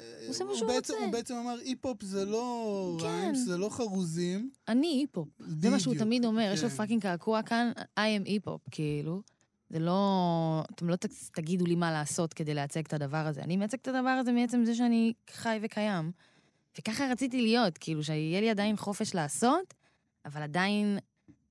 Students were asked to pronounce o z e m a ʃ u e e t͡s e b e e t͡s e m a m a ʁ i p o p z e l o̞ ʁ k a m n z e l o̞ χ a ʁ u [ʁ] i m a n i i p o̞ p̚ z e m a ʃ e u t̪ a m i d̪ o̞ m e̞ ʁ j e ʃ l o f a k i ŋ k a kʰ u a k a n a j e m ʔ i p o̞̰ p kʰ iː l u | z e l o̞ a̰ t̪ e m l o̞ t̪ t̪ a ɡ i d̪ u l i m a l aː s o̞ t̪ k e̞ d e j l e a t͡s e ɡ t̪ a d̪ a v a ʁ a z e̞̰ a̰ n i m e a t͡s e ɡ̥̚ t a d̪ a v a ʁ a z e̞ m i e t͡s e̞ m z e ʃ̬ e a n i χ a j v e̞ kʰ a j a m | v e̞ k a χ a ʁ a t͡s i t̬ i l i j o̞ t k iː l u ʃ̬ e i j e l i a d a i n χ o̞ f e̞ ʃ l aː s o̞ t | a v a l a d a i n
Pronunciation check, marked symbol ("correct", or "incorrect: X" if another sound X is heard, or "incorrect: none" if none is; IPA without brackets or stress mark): incorrect: z